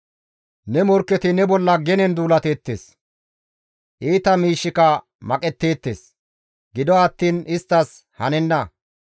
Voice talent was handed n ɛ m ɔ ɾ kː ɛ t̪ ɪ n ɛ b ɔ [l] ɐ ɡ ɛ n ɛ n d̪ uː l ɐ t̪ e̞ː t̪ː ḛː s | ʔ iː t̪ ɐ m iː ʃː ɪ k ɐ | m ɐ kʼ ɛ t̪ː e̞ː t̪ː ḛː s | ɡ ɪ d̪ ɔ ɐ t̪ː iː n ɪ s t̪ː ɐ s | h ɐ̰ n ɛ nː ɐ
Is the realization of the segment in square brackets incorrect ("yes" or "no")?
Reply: yes